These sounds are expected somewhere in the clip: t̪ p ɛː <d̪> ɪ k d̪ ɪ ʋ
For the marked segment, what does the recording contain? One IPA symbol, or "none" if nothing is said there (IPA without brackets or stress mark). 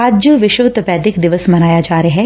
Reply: d̪